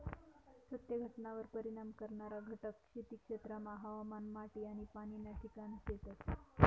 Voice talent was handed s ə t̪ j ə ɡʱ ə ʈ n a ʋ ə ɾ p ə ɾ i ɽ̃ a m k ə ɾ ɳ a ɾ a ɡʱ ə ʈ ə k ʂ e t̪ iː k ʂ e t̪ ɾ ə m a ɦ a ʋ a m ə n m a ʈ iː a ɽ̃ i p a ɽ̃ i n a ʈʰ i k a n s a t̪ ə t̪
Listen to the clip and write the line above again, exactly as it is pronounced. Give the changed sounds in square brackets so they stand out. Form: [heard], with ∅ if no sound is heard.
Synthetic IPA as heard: s ə t̪ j ə ɡʱ ə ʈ n a ʋ ə ɾ p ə ɾ i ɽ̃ a m k ə ɾ ɳ a ɾ a ɡʱ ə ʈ ə k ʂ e t̪ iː k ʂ e t̪ ɾ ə m a ɦ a ʋ a m [a] n m a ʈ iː a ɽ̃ i p a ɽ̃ i n a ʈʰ i k a n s [e] t̪ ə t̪

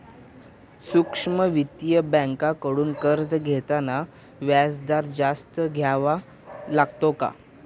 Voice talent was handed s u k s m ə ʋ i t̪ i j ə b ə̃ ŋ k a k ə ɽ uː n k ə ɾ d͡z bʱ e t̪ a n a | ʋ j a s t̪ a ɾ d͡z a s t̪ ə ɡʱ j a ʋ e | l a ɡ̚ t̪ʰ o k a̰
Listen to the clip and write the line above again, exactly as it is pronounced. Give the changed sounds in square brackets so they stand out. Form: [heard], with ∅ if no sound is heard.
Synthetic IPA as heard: s u k [ʂ] m ə ʋ i t̪ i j ə b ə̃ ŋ k a k ə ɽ uː n k ə ɾ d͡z [ɡʱ] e t̪ a n a | ʋ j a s [d̪] a ɾ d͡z a s t̪ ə ɡʱ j a ʋ [a] | l a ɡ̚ [t̪] o k a̰

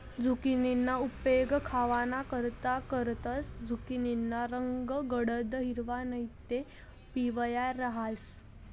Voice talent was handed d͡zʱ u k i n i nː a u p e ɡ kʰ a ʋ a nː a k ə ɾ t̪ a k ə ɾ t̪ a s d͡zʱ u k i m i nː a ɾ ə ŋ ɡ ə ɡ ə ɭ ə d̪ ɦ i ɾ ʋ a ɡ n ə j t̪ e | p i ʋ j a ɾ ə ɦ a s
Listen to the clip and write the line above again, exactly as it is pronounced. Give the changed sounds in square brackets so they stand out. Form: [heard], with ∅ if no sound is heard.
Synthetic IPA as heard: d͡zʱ u k i n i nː a u p e ɡ kʰ a ʋ a [n] a k ə ɾ t̪ a k ə ɾ t̪ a s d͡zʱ u k i [n] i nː a ɾ ə ŋ ɡ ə ɡ ə [ɽ] ə d̪ ɦ i ɾ ʋ a [∅] n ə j t̪ e | p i ʋ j a ɾ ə ɦ a s

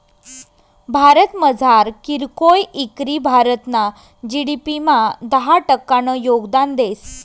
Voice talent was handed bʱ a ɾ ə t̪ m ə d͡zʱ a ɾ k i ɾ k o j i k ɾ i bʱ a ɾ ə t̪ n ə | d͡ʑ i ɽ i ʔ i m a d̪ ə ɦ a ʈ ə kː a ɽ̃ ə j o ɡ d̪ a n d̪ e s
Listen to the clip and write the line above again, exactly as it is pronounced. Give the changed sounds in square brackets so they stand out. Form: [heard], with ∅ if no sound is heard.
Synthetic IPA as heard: bʱ a ɾ ə t̪ m ə d͡zʱ a ɾ k i ɾ k o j i k ɾ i bʱ a ɾ ə t̪ n [a] | d͡ʑ i ɽ i [p] i m a d̪ ə ɦ a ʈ ə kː a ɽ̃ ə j o ɡ d̪ a n d̪ e s

